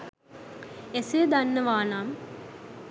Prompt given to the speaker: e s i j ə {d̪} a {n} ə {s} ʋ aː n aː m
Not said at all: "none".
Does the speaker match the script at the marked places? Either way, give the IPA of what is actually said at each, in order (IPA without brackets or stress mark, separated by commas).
d̪, nː, none